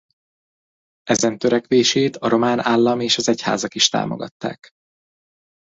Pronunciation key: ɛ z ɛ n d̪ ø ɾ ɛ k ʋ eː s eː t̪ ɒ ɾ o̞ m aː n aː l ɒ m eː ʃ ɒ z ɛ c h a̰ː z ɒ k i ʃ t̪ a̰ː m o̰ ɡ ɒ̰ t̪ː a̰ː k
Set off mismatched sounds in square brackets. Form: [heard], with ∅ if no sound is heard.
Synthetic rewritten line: ɛ z ɛ n [t̪] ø ɾ ɛ k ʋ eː [ʃ] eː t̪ ɒ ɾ o̞ m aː n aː [lː] ɒ m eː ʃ ɒ z ɛ c h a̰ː z ɒ k i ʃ t̪ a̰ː m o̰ ɡ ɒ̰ t̪ː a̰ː k

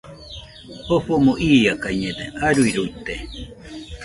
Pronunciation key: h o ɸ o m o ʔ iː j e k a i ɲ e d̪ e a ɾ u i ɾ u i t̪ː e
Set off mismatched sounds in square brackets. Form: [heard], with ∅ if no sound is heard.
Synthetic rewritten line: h o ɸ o m o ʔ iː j [a] k a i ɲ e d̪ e a ɾ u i ɾ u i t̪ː e

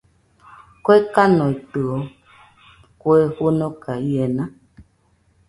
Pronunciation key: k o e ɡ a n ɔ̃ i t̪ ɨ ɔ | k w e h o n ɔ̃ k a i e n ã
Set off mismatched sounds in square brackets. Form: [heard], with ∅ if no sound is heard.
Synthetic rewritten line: k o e [k] a n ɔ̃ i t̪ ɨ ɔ | k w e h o n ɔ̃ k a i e n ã

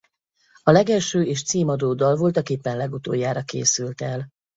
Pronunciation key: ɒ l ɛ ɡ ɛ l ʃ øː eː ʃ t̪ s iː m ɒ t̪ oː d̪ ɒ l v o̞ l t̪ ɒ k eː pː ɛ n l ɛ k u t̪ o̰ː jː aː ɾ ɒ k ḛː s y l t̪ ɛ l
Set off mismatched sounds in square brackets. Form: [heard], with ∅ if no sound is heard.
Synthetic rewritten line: ɒ l ɛ ɡ ɛ l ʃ øː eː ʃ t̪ s iː m ɒ [d̪] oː d̪ ɒ l v o̞ l t̪ ɒ k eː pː ɛ n l ɛ [ɡ] u t̪ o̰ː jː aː ɾ ɒ k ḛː s y l t̪ ɛ l

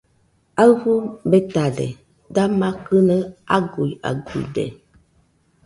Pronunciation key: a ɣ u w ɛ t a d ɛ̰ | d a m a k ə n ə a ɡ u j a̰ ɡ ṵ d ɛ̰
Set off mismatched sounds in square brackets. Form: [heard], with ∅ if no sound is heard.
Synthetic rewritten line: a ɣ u [b] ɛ t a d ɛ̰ | d a m a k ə n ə a ɡ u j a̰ ɡ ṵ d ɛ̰

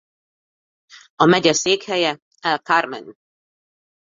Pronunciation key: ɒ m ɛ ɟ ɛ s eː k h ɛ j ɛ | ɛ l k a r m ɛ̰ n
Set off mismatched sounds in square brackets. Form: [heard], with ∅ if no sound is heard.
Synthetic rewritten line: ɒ m ɛ ɟ ɛ s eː k h ɛ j ɛ | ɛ l k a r m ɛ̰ n

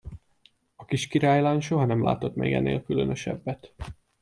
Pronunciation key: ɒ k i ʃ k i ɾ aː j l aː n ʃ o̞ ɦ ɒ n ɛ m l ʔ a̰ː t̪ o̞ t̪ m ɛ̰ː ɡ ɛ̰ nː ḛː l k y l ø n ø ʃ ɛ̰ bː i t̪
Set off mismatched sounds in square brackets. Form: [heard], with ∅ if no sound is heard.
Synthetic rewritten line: ɒ k i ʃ k i ɾ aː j l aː n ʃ o̞ ɦ ɒ n ɛ m l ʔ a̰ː t̪ o̞ t̪ m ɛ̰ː ɡ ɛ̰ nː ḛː l k y l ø n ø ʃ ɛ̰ bː [ɛ] t̪

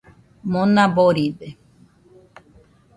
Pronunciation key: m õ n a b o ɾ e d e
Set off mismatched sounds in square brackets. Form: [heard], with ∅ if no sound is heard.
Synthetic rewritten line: m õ n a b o ɾ [i] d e

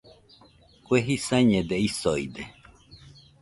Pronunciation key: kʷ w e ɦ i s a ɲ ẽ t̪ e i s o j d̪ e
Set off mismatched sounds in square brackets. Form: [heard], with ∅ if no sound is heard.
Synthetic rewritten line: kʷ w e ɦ i s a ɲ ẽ [d̪] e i s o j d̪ e

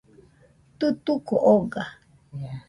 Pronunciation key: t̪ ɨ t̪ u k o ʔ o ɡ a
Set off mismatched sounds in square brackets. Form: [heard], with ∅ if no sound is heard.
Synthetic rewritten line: t̪ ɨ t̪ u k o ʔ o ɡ a

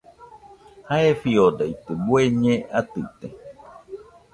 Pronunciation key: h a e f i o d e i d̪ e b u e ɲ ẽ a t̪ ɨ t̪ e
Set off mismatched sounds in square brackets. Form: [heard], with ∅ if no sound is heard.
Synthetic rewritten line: h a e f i o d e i [t̪] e b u e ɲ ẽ a t̪ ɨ t̪ e

